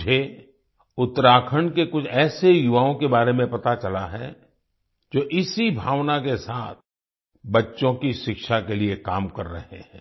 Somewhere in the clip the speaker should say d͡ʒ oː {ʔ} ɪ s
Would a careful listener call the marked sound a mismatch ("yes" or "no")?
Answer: no